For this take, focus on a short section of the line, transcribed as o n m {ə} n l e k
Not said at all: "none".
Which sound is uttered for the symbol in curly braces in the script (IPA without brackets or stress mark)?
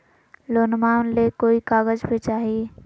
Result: a